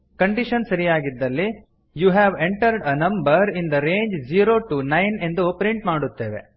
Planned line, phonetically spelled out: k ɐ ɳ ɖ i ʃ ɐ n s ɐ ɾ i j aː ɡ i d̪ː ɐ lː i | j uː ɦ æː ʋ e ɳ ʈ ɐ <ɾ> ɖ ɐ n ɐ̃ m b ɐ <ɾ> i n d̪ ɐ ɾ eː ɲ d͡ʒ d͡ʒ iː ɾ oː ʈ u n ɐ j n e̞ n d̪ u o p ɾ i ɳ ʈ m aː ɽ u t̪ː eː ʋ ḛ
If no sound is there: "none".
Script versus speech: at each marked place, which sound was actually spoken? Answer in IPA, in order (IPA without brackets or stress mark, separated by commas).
ɾ, ɾ